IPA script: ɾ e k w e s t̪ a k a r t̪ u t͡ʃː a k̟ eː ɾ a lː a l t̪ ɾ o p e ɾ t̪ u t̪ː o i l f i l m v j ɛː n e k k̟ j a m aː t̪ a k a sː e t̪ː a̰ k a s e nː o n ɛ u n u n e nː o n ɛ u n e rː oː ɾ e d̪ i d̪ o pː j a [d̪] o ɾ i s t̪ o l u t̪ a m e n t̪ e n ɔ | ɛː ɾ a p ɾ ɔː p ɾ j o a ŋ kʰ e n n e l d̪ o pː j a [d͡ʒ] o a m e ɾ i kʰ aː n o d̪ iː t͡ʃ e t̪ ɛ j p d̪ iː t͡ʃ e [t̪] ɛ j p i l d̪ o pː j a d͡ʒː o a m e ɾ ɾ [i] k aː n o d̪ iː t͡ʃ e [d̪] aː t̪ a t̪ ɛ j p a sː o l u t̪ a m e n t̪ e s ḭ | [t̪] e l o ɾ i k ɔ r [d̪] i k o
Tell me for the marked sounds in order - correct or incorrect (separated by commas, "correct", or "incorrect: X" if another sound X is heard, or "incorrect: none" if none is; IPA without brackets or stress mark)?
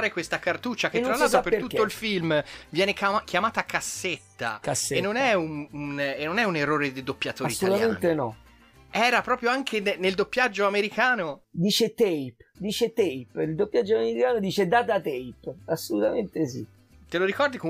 incorrect: t̪, incorrect: d͡ʒː, correct, correct, correct, correct, correct